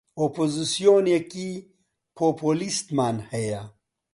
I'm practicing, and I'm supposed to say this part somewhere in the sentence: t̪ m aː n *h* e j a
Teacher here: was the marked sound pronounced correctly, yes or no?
yes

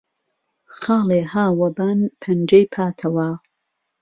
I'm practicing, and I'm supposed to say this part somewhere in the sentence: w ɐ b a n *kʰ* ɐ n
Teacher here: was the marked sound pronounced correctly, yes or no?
no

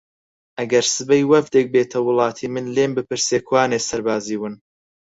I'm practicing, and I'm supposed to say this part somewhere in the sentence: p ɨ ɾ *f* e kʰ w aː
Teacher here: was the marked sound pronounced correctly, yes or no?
no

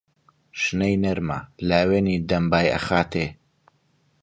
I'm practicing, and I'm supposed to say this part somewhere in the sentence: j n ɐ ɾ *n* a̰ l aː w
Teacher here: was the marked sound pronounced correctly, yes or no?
no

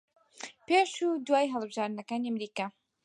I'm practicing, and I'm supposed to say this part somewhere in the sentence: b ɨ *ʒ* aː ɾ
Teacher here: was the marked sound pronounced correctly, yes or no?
yes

